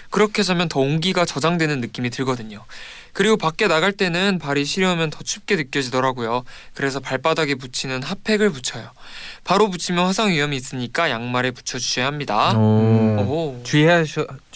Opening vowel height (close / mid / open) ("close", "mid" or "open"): close